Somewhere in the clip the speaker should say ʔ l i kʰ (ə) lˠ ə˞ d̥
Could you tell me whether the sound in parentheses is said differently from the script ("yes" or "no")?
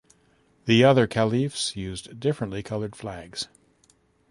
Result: yes